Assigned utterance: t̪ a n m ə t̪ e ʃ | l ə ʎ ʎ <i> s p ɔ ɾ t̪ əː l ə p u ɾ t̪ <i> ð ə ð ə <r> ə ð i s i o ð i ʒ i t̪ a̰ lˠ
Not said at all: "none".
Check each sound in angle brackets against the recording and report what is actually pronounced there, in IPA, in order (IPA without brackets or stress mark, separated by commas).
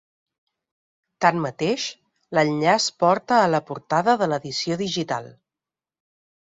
a, a, l